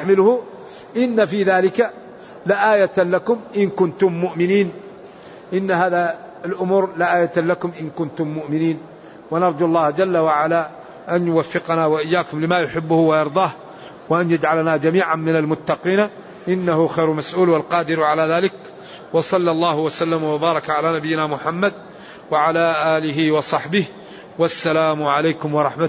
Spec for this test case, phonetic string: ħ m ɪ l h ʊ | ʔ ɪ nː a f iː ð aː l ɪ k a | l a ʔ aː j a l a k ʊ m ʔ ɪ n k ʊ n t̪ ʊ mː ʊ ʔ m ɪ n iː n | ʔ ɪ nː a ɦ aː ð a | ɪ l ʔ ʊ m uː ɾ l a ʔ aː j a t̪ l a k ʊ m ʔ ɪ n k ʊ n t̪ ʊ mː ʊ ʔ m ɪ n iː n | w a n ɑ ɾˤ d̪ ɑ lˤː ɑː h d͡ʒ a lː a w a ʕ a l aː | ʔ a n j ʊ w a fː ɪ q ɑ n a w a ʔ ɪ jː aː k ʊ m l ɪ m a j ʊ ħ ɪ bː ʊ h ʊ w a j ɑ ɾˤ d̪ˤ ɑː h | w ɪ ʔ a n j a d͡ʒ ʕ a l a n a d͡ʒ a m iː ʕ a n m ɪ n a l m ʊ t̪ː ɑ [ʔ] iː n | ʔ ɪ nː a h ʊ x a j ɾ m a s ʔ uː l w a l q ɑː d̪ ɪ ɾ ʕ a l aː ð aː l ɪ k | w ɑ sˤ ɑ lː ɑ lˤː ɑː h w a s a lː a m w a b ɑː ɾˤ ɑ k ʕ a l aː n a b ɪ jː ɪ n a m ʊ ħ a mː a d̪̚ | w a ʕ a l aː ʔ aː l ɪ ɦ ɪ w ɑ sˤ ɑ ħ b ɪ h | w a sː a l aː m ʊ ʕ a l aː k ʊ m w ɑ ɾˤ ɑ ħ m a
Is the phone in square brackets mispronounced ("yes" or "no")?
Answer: yes